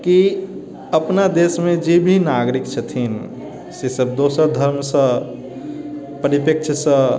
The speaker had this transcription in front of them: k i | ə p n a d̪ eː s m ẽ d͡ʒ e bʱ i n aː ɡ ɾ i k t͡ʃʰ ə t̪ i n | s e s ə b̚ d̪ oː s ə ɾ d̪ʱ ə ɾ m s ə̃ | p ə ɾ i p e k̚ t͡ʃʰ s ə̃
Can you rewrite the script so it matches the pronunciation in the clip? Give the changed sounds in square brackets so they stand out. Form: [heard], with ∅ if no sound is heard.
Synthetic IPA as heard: k i | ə p n a d̪ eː s m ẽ d͡ʒ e bʱ i n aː ɡ ɾ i k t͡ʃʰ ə [t̪ʰ] i n | s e s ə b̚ d̪ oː s ə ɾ d̪ʱ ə ɾ m s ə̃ | p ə ɾ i p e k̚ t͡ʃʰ s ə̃